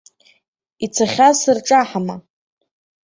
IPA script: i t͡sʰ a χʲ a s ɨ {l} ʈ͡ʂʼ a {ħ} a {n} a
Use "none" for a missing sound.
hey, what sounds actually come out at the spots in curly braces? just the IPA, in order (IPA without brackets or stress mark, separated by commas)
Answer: r, ħ, m